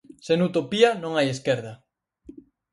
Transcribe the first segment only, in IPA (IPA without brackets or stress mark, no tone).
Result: s